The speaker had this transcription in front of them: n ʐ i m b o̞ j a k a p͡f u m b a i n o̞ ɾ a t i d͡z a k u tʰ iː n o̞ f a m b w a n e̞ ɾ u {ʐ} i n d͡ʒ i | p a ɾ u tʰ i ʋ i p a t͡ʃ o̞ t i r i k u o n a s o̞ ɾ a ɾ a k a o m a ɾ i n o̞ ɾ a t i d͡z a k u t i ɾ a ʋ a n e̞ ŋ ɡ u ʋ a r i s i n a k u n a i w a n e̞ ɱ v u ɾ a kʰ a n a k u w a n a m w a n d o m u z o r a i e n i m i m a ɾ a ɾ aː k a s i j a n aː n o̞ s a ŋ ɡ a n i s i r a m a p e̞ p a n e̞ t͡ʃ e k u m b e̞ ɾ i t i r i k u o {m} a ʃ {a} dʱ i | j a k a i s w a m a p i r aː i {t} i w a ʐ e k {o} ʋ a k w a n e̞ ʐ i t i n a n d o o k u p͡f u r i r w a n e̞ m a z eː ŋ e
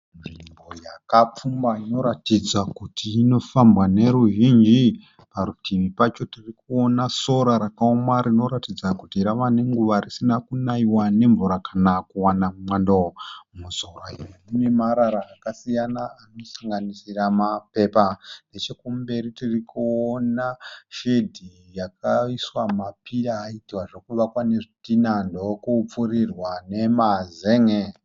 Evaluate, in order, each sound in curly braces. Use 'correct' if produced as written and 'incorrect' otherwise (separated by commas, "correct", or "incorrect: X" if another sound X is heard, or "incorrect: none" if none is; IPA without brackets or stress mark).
incorrect: ʒ, incorrect: n, incorrect: e, correct, incorrect: u